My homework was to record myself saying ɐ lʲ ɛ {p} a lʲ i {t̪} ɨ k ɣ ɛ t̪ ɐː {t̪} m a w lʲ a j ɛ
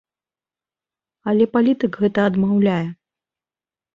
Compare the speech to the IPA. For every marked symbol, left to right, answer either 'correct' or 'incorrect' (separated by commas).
correct, correct, incorrect